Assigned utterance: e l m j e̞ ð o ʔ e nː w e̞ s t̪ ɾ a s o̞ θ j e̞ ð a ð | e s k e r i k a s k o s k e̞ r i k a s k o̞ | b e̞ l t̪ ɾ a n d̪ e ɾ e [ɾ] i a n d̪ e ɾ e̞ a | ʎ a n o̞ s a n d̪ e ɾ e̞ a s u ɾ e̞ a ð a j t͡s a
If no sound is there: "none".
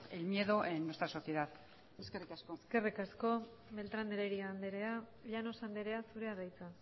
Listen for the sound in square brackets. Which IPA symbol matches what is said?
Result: ɾ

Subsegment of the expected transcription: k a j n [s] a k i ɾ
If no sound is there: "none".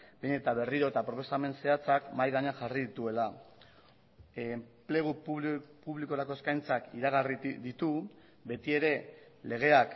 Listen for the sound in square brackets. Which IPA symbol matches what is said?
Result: t͡s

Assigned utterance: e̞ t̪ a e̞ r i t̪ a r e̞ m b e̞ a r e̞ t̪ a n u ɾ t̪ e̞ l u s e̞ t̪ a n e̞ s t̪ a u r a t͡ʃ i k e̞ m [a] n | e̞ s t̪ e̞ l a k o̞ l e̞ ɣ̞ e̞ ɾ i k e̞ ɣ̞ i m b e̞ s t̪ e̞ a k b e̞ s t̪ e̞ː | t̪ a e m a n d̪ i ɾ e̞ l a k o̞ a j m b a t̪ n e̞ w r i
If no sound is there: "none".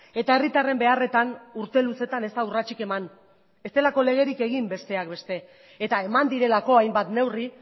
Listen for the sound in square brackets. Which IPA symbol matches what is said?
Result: a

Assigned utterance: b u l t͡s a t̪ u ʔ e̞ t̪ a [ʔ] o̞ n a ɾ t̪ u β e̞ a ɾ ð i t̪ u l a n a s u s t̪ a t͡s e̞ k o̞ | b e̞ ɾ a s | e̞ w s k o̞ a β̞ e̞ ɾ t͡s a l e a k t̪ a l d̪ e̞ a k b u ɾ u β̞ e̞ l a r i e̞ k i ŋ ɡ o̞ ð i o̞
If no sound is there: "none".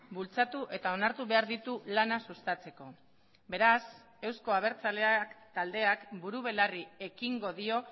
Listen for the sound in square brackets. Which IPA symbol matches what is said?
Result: none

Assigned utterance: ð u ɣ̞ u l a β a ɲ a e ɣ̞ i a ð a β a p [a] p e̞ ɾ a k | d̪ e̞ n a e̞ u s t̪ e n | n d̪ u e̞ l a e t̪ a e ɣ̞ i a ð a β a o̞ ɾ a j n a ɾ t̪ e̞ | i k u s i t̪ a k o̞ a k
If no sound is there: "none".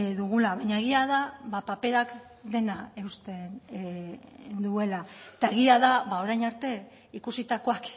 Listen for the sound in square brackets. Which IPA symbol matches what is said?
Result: a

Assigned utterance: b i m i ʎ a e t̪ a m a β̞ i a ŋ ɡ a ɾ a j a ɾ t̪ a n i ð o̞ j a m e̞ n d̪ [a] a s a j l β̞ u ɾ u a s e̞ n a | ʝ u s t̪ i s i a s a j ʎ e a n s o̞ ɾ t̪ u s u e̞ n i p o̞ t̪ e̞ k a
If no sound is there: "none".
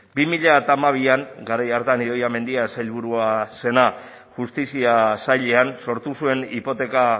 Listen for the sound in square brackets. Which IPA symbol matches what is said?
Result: i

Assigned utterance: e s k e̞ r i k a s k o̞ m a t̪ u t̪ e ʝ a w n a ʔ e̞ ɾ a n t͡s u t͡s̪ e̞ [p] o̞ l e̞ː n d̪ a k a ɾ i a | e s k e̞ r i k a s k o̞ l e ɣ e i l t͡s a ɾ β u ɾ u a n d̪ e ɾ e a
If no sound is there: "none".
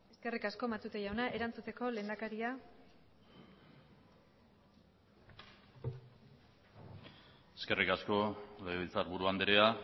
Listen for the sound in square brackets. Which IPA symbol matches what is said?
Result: k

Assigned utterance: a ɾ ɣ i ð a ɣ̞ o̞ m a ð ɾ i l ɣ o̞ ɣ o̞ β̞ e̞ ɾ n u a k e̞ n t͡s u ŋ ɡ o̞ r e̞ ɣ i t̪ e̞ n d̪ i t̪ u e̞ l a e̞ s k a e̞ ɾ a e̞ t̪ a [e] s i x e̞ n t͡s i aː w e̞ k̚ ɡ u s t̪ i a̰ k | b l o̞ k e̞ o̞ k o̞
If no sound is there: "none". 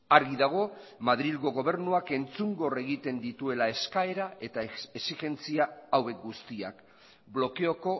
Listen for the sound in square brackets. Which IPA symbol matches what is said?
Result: e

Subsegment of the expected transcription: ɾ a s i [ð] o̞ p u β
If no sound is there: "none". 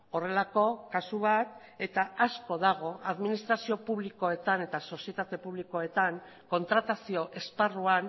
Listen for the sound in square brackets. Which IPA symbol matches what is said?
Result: none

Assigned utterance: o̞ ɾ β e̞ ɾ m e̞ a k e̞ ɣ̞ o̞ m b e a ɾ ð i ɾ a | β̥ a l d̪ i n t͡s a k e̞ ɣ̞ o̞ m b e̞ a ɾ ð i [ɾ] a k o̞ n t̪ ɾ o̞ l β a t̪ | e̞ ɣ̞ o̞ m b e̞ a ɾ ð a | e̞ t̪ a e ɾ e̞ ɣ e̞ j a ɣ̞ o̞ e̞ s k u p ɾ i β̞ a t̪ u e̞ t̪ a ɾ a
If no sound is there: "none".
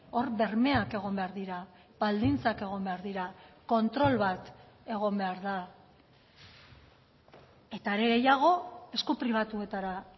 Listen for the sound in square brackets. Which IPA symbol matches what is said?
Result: ɾ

